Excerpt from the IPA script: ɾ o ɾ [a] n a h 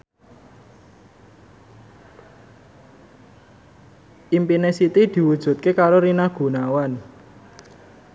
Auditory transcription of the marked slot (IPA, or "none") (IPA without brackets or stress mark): i